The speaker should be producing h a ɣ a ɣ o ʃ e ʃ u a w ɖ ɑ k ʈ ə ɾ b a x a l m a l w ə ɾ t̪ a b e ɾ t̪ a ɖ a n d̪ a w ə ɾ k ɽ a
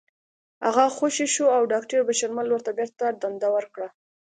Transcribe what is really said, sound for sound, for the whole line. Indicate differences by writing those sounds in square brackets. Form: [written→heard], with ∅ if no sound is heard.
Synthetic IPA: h a ɣ a [ɣ→x] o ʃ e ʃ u a w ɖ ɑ k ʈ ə ɾ b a [x→ʃ] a [l→ɾ] m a l w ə ɾ t̪ a b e ɾ t̪ a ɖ a n d̪ a w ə ɾ k ɽ a